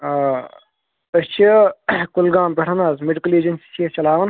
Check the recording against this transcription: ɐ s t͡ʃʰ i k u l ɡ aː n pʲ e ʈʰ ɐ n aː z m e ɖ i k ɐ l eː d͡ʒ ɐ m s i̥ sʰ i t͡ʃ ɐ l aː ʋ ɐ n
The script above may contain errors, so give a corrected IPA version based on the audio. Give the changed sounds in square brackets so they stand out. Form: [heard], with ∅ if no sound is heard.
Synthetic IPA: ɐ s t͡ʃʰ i k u l ɡ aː [m] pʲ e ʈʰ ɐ n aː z m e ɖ i k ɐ l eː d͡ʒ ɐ [n] s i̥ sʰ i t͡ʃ ɐ l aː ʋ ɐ n